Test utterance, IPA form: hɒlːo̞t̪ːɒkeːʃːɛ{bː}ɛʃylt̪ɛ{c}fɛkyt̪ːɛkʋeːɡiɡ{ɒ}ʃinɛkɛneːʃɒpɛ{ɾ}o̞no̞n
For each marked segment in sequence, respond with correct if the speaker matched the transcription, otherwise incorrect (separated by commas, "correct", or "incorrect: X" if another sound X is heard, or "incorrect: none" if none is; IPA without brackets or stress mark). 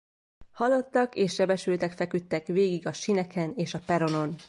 incorrect: b, incorrect: k, correct, correct